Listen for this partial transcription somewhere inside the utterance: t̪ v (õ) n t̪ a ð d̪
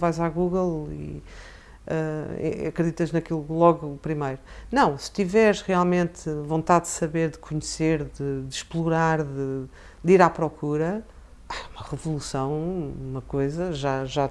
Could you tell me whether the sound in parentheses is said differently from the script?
no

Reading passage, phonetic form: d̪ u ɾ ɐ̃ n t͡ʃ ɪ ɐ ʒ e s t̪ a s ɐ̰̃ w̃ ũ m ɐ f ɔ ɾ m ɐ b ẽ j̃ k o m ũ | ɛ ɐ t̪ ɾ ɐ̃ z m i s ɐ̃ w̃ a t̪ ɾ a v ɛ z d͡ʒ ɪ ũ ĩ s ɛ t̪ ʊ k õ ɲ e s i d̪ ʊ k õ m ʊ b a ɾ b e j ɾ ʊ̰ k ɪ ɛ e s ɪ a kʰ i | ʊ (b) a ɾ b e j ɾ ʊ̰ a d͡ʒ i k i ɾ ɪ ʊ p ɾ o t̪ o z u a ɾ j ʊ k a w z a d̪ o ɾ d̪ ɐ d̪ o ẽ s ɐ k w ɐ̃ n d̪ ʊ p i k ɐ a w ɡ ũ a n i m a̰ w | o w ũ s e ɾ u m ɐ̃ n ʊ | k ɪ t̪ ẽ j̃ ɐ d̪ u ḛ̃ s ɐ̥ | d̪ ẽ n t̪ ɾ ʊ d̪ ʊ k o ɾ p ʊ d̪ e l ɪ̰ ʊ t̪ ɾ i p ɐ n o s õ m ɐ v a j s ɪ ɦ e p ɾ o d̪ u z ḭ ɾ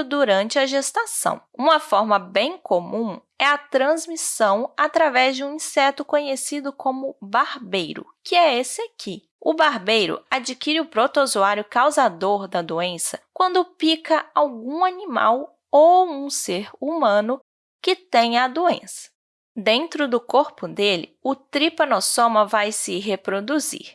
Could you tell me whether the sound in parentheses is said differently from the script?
no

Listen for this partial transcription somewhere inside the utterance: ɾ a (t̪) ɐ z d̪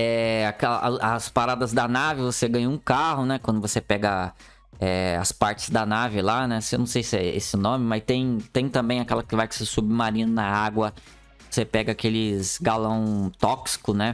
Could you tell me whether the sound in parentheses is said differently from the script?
yes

